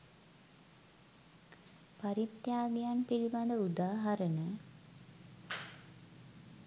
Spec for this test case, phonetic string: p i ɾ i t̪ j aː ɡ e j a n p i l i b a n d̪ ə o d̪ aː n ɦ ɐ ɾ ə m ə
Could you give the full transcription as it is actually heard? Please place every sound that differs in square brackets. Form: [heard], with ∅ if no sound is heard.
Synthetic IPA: p [a] ɾ i t̪ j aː ɡ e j a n p i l i b a n d̪ ə [u] d̪ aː [∅] ɦ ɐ ɾ ə [n] ə